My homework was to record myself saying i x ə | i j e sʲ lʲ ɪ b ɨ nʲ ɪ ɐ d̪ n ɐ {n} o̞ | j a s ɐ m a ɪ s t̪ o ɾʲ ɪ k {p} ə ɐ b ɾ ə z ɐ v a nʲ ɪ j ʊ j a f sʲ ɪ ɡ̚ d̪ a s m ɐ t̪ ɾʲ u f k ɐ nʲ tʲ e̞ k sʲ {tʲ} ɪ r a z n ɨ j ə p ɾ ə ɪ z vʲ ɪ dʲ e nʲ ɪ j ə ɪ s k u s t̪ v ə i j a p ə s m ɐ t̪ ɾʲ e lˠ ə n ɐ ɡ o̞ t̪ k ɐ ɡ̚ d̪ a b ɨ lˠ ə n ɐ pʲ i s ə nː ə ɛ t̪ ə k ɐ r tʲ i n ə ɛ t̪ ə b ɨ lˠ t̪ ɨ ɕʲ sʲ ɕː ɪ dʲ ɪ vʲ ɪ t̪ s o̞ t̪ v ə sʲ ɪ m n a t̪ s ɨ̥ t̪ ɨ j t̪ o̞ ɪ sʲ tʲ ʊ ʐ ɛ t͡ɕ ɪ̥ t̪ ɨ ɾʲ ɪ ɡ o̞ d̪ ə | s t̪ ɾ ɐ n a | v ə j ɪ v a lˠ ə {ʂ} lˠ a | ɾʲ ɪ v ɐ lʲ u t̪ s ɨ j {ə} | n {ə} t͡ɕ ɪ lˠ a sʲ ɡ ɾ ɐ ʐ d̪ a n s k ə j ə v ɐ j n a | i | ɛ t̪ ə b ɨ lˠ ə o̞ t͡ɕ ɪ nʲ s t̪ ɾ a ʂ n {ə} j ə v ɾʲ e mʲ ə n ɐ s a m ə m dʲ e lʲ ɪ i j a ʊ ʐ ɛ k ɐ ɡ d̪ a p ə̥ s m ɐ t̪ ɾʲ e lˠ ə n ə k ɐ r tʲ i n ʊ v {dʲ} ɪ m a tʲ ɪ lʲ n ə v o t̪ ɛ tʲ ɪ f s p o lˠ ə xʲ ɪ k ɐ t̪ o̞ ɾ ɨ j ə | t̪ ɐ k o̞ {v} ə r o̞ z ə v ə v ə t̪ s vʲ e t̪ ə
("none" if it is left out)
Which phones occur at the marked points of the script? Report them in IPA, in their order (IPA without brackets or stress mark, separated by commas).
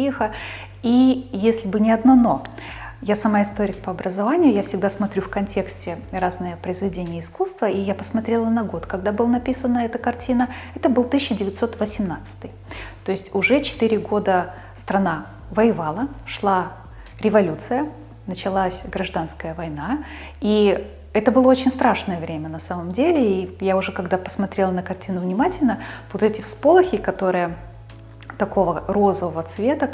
n, p, tʲ, ʂ, ə, ə, ə, nʲ, v